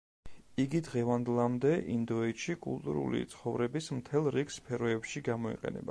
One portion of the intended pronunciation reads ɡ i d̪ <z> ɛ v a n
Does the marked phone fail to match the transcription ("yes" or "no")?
yes